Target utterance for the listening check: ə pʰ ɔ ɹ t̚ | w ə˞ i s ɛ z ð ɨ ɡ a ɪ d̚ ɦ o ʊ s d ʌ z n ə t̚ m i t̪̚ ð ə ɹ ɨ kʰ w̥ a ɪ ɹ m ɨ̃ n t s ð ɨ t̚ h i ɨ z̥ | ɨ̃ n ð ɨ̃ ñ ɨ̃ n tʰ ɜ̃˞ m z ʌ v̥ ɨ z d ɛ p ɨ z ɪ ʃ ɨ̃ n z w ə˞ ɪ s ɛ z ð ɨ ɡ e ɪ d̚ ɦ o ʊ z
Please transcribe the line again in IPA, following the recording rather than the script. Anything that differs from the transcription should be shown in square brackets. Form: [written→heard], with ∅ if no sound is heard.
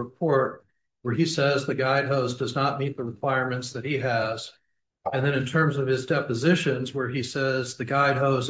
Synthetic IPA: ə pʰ ɔ ɹ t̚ | w ə˞ i s ɛ z ð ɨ ɡ a ɪ d̚ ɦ o ʊ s d ʌ z n ə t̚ m i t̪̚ ð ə ɹ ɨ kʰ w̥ a ɪ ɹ m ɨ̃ n t s ð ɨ t̚ h i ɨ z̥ | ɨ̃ n ð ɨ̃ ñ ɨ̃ n tʰ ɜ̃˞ m z ʌ v̥ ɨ z d ɛ p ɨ z ɪ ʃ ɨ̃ n z w ə˞ [ɪ→i] s ɛ z ð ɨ ɡ [e→a] ɪ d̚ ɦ o ʊ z